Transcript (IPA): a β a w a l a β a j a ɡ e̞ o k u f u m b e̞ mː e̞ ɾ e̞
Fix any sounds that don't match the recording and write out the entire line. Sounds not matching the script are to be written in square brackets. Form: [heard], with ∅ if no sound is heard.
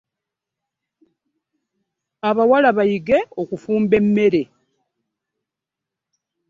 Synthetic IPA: a β a w a l a β a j [i] ɡ e̞ o k u f [uː] m b e̞ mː e̞ ɾ e̞